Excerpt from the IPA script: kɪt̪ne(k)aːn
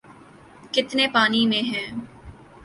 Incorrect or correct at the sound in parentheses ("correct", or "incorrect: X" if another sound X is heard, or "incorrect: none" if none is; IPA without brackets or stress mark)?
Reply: incorrect: p